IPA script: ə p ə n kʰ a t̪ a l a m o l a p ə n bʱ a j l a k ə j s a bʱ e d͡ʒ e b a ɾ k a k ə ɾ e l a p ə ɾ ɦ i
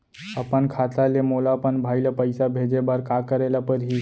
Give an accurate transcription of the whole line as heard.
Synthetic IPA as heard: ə p ə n kʰ a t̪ a l e m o l a p ə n bʱ a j l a p ə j s a bʱ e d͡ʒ e b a ɾ k a k ə ɾ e l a p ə ɾ ɦ i